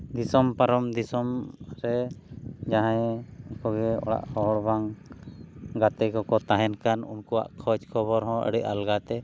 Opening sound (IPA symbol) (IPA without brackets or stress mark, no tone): d̪